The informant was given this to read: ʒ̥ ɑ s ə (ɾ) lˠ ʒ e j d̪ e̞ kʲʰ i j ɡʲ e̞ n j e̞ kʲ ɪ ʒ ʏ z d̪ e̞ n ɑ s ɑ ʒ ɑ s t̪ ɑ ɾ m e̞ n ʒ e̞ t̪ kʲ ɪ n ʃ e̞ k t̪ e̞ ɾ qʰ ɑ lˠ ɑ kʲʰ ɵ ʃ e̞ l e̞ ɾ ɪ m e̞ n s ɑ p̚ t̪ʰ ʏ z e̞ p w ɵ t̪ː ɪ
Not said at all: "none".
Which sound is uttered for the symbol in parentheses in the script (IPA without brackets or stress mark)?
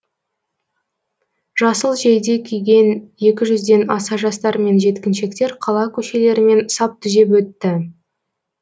none